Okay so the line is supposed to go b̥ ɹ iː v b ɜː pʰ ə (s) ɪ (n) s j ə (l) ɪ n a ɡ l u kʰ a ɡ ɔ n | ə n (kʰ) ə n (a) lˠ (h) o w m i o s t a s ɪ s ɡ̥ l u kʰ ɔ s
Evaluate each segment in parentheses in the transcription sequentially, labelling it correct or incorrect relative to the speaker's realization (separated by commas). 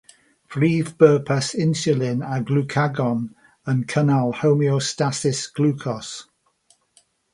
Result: correct, correct, correct, correct, correct, correct